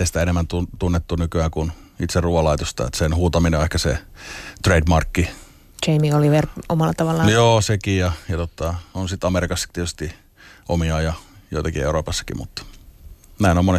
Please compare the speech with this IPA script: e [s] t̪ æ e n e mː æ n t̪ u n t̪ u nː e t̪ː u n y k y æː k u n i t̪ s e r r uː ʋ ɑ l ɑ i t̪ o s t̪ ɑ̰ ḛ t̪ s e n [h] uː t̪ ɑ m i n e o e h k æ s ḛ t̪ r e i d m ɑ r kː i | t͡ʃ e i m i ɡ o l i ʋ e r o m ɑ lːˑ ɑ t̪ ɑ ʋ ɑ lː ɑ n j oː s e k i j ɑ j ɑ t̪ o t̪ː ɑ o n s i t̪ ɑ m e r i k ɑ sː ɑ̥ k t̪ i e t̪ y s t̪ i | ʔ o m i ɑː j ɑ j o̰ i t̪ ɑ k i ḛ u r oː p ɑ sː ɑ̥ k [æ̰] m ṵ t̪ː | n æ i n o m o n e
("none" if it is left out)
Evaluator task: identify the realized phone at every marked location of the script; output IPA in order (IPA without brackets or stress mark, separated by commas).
s, h, ḭ